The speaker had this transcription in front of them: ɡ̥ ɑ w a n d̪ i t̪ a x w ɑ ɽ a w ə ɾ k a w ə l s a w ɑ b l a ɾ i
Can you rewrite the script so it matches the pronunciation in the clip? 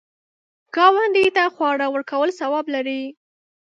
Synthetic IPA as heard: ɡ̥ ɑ w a n d̪ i t̪ a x w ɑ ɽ a w ə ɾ k a w ə l s a w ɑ b l a ɾ i